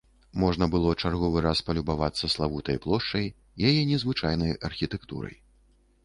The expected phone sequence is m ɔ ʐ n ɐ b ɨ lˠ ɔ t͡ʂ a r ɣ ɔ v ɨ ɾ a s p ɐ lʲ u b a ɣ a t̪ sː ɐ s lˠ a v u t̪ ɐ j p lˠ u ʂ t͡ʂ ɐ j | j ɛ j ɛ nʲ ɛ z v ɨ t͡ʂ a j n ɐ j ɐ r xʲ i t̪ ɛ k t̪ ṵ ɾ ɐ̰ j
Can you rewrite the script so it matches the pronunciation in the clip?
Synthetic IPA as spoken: m ɔ ʐ n ɐ b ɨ lˠ ɔ t͡ʂ a r ɣ ɔ v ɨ ɾ a s p ɐ lʲ u b a v a t̪ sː ɐ s lˠ a v u t̪ ɐ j p lˠ ɔ ʂ t͡ʂ ɐ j | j a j ɛ nʲ ɛ z v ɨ t͡ʂ a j n ɐ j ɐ r xʲ i t̪ ɛ k t̪ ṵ ɾ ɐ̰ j